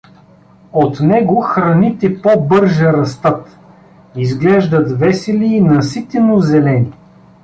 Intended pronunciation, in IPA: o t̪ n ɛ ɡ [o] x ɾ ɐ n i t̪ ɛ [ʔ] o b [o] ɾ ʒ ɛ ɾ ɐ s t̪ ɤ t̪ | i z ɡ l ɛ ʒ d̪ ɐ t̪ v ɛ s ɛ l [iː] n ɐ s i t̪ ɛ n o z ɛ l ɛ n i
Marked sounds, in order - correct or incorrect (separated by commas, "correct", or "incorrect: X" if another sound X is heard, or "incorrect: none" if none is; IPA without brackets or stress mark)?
correct, incorrect: p, incorrect: ɤ, correct